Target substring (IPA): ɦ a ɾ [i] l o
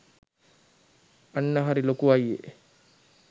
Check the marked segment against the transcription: correct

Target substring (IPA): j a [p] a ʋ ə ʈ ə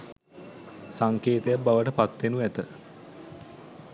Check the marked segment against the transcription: incorrect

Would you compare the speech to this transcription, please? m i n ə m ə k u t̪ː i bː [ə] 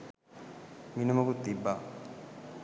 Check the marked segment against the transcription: incorrect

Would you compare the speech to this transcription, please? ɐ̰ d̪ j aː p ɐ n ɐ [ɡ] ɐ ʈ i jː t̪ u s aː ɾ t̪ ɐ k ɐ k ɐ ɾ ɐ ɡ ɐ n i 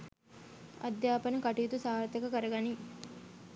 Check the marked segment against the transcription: incorrect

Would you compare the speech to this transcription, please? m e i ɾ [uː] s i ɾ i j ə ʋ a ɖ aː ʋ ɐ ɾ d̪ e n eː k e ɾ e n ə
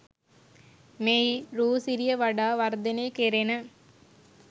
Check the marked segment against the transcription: correct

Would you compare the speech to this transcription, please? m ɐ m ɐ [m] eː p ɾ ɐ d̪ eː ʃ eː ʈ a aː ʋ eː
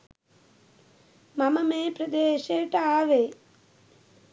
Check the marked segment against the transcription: correct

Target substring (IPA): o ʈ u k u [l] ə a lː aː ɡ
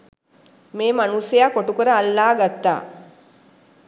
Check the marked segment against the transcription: incorrect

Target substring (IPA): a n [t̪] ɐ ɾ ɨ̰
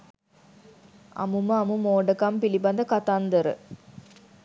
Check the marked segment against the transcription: incorrect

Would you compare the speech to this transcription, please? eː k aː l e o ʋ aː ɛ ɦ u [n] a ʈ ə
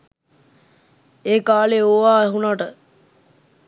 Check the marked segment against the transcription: correct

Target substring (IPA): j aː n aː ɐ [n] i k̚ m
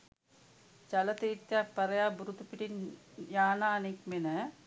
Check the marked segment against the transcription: correct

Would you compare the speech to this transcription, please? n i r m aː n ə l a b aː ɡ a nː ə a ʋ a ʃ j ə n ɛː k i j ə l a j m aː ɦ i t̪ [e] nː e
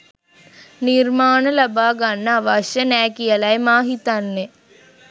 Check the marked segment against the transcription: incorrect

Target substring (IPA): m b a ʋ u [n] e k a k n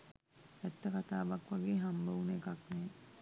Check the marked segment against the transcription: correct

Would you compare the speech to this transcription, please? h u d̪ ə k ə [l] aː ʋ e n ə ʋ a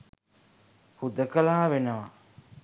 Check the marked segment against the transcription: correct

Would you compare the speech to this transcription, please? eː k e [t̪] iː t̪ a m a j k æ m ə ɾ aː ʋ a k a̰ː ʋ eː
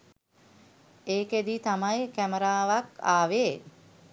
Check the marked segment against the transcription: incorrect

